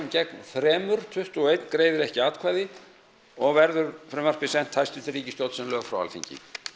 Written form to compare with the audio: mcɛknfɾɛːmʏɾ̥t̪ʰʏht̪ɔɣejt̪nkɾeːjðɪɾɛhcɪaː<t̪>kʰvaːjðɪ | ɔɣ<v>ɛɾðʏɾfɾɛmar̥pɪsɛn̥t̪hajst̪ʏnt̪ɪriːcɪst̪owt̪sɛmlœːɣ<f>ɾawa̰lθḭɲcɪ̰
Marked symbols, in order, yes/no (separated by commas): yes, yes, yes